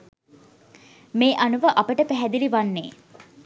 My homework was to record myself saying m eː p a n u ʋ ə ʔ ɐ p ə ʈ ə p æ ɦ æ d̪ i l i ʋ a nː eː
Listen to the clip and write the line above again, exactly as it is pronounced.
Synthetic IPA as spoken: m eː ʔ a n u ʋ ə ʔ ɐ p ə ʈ ə p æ ɦ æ d̪ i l i ʋ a nː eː

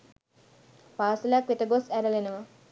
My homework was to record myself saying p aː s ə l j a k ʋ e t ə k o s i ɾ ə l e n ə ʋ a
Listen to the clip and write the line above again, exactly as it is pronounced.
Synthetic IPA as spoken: p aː s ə l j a k ʋ e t ə ɡ o s æ ɾ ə l e n ə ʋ ə

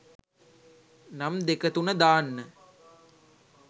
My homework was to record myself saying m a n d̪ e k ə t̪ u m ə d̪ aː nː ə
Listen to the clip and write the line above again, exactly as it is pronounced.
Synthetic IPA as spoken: n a m d̪ e k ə t̪ u n ə d̪ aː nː ə

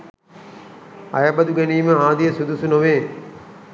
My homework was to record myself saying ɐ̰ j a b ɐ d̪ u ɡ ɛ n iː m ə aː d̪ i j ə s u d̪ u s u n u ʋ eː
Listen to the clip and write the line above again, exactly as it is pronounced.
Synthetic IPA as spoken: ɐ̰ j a b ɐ d̪ u ɡ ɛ n iː m ə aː d̪ i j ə s u d̪ u s u n o ʋ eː

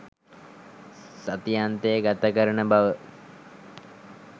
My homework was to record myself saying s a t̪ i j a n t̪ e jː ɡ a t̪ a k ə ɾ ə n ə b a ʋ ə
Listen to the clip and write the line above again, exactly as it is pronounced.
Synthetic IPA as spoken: s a t̪ i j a n t̪ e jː ɡ a t̪ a k ə ɾ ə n ə b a ʋ ə

